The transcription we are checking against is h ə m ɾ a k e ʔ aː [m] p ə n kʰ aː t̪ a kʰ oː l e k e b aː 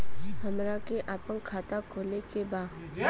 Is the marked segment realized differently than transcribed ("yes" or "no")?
yes